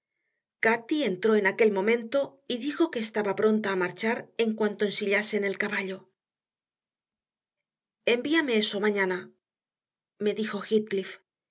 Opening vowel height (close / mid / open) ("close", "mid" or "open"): open